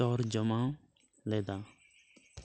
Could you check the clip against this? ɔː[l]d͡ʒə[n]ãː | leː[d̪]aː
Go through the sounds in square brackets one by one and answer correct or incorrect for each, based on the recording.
incorrect: ɾ, incorrect: m, correct

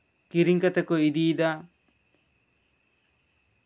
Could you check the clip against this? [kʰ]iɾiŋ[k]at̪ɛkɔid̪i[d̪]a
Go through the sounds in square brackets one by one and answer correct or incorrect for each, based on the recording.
incorrect: k, correct, correct

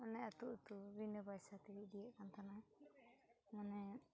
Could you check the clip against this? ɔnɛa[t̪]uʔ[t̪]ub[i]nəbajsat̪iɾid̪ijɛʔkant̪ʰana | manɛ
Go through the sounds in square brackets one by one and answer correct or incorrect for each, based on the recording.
correct, correct, correct

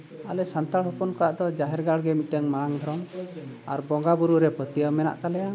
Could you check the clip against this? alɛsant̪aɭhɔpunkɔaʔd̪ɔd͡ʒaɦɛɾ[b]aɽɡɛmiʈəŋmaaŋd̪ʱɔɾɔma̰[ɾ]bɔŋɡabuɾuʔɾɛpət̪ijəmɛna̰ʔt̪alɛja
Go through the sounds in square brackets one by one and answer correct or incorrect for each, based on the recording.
incorrect: ɡ, correct

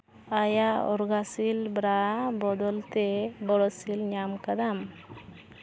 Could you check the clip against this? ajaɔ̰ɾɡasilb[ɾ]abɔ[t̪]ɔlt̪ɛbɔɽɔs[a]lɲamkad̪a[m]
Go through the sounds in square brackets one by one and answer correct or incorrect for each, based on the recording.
correct, incorrect: d̪, incorrect: i, correct

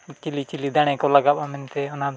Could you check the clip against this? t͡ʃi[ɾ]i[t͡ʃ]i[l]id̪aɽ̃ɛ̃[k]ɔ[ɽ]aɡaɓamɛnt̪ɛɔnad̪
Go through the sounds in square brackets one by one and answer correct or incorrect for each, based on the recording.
incorrect: l, correct, correct, correct, incorrect: l

